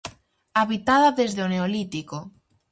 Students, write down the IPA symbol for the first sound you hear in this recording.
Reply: a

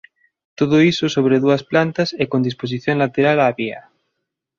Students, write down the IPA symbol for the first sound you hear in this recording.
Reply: t̪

